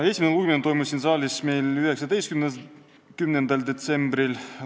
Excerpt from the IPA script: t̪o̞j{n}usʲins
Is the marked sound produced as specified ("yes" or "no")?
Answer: no